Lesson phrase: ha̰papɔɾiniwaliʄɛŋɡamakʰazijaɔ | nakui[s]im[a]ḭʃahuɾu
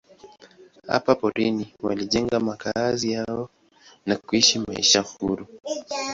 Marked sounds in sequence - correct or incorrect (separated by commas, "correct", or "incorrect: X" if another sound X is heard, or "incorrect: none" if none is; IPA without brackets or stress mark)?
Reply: incorrect: ʃ, correct